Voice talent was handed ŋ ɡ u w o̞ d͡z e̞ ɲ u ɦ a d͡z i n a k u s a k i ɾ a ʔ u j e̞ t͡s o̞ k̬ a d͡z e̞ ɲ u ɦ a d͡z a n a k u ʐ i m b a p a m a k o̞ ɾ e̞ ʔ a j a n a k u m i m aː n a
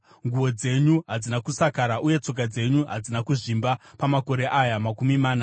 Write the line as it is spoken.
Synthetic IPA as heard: ŋ ɡ u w o̞ d͡z e̞ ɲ u ɦ a d͡z i n a k u s a k a ɾ a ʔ u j e̞ t͡s o̞ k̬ a d͡z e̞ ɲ u ɦ a d͡z i n a k u ʐ i m b a p a m a k o̞ ɾ e̞ ʔ a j a m a k u m i m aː n a